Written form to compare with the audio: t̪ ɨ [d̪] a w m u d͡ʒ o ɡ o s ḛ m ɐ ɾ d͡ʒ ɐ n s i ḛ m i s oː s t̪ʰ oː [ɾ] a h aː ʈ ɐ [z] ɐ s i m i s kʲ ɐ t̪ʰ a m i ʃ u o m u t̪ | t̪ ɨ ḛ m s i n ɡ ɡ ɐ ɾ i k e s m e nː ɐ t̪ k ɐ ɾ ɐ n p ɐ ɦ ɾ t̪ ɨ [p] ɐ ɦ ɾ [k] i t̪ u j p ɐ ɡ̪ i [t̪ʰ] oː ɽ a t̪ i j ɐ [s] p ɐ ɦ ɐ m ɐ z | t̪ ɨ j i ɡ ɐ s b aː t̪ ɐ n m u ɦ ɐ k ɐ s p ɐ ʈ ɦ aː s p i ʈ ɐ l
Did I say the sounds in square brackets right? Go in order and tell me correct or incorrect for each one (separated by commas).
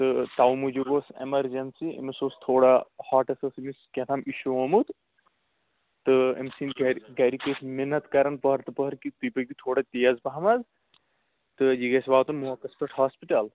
incorrect, incorrect, incorrect, correct, correct, correct, incorrect